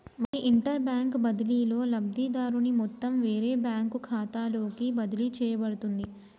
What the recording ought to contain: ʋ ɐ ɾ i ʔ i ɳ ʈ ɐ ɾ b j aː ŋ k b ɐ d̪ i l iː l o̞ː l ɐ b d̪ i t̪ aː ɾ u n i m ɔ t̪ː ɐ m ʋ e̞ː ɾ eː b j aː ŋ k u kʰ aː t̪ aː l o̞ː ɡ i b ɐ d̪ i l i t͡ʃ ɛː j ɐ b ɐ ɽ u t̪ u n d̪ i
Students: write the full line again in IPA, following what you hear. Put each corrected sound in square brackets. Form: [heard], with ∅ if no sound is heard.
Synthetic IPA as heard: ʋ ɐ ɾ i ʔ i ɳ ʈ ɐ ɾ b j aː ŋ k b ɐ d̪ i l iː l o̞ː l ɐ b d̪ i [d̪] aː ɾ u n i m ɔ t̪ː ɐ m ʋ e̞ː ɾ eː b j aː ŋ k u kʰ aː t̪ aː l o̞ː [k] i b ɐ d̪ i l i t͡ʃ ɛː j ɐ b ɐ ɽ u t̪ u n d̪ i